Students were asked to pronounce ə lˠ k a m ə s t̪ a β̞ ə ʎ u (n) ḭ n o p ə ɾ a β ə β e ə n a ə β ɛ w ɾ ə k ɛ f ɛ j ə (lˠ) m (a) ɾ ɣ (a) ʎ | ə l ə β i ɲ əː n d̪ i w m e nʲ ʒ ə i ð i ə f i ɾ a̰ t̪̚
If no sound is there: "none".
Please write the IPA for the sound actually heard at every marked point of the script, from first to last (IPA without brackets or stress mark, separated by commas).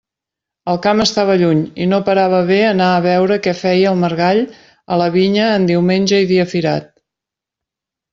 ɲ, lˠ, ə, a